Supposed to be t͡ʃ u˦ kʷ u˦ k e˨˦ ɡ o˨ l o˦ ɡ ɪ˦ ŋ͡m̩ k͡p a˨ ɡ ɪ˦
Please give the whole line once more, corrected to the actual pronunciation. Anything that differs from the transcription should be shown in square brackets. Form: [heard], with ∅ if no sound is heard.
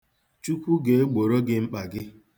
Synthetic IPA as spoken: t͡ʃ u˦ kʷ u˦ [ɡ] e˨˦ [ɡ͡b] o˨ [ɾ] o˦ ɡ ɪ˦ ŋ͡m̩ k͡p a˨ ɡ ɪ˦